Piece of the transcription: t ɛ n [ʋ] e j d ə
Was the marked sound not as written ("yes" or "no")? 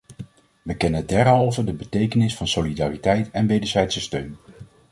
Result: no